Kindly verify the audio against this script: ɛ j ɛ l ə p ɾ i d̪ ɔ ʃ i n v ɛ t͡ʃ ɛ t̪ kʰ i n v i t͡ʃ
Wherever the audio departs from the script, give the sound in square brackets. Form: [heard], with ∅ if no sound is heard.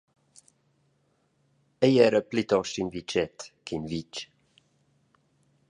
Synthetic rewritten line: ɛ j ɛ [ɾ] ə p [l] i [t̪] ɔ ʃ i n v [i] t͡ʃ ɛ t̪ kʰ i n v i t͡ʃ